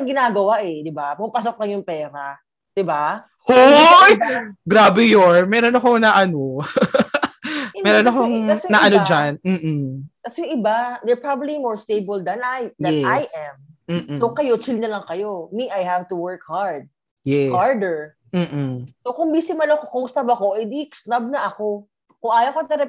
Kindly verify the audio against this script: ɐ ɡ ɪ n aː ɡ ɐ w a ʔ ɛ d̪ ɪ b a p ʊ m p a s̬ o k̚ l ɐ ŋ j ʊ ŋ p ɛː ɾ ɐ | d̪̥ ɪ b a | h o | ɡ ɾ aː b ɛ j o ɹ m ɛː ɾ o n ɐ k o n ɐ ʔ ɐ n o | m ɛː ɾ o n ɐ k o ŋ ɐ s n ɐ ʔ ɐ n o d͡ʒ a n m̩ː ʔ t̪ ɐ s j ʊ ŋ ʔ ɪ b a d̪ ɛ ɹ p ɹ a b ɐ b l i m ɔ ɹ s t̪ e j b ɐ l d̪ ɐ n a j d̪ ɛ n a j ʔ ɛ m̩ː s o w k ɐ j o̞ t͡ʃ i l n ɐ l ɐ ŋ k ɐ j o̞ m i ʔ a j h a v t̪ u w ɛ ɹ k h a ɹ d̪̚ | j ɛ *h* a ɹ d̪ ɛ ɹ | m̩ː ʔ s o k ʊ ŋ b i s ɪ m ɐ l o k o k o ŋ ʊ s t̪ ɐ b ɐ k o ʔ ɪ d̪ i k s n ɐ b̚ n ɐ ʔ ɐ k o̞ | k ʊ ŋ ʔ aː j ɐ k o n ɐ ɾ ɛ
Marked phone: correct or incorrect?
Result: correct